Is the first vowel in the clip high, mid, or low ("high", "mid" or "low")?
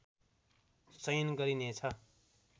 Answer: mid